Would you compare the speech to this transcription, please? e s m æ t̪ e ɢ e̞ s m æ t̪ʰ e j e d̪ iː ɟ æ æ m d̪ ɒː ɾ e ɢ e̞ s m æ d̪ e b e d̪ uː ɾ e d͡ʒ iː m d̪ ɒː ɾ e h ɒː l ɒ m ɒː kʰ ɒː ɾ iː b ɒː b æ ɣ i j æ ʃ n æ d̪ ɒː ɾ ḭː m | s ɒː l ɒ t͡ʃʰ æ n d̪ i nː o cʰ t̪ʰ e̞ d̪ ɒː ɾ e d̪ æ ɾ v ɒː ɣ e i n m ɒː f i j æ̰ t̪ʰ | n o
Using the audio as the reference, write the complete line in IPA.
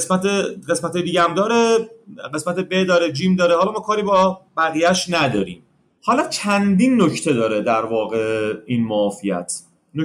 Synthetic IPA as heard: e s m æ t̪ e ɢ e̞ s m æ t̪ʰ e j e d̪ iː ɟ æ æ m d̪ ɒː ɾ e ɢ e̞ s m æ t̪ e b e d̪ ɒː ɾ e d͡ʒ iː m d̪ ɒː ɾ e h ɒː l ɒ m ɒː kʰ ɒː ɾ iː b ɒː b æ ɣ i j æ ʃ n æ d̪ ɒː ɾ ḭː m | h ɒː l ɒ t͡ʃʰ æ n d̪ i nː o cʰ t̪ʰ e̞ d̪ ɒː ɾ e d̪ æ ɾ v ɒː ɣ e i n m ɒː f i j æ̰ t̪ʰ | n o